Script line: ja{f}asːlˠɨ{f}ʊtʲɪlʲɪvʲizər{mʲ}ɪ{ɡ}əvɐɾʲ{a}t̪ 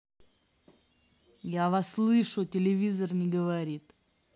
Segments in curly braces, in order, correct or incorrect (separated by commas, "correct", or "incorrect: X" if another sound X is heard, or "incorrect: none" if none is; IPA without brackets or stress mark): incorrect: v, incorrect: ʂ, incorrect: nʲ, correct, incorrect: i